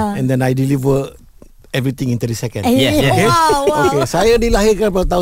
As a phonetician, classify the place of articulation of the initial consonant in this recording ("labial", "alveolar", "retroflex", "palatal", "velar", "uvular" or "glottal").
alveolar